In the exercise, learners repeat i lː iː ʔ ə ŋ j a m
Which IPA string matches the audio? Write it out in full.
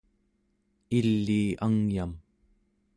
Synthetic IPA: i lː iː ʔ a ŋ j a m